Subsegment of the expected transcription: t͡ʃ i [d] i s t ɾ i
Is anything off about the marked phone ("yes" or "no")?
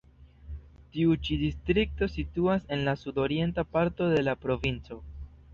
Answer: no